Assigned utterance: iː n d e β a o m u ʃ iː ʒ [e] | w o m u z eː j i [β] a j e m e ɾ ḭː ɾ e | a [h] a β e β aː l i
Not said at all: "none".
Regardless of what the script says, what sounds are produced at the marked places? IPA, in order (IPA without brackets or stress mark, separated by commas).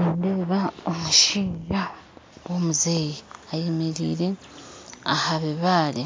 a, none, h